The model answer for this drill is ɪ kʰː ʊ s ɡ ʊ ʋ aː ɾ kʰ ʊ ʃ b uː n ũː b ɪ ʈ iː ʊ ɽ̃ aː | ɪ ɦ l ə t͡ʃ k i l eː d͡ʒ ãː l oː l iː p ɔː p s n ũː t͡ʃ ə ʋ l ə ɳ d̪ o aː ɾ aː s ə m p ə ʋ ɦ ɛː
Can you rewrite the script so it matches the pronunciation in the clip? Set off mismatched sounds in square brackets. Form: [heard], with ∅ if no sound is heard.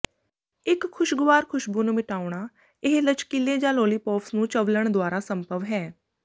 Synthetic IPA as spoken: ɪ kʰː ʊ [ʃ] ɡ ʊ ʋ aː ɾ kʰ ʊ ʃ b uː n ũː [m] ɪ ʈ [aː] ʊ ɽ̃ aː | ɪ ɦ l ə t͡ʃ k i l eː d͡ʒ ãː l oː l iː p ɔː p s n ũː t͡ʃ ə ʋ l ə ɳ d̪ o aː ɾ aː s ə m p ə ʋ ɦ ɛː